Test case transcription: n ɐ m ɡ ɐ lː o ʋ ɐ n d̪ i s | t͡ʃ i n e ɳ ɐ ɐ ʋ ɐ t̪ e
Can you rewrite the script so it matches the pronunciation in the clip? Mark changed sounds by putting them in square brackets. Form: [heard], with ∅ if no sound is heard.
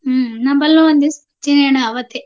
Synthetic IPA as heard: n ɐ m [b] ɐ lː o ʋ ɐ n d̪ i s | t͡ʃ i n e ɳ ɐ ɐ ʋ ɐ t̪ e